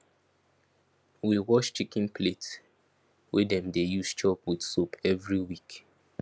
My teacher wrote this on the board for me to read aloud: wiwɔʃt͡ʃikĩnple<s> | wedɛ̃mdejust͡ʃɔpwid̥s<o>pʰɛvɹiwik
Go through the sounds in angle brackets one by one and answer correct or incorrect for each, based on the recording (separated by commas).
incorrect, correct